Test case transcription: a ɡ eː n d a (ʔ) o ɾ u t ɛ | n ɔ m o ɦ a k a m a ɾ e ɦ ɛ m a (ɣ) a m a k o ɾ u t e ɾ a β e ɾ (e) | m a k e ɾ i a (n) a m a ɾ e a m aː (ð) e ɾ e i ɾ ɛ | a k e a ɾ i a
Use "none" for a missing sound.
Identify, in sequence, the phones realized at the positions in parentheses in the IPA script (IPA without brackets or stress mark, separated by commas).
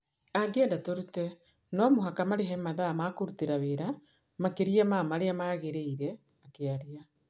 t, ð, a, m, ɣ